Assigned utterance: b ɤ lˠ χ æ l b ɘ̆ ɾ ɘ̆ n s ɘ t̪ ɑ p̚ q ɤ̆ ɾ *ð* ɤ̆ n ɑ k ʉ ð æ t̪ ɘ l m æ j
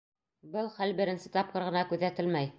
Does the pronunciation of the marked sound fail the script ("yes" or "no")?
yes